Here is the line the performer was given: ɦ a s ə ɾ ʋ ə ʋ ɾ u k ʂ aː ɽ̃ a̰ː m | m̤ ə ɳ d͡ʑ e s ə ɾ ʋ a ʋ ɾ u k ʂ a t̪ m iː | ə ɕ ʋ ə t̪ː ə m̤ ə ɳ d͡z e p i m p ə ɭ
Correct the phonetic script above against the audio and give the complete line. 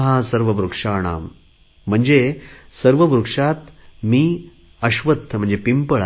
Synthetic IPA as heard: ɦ a s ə ɾ ʋ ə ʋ ɾ u k ʂ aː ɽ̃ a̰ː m | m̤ ə ɳ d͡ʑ e s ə ɾ ʋ ə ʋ ɾ u k ʂ a t̪ m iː | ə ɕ ʋ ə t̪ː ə m̤ ə ɳ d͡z e p i m p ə ɭ